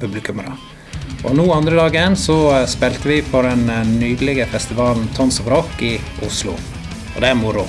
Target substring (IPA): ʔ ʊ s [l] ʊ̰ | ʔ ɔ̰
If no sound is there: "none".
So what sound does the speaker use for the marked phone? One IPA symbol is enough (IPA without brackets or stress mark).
l